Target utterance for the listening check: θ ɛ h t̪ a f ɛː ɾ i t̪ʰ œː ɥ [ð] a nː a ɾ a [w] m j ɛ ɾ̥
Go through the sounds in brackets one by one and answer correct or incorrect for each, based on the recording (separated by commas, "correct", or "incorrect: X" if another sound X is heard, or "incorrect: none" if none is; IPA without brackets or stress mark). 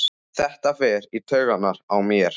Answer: incorrect: ɣ, correct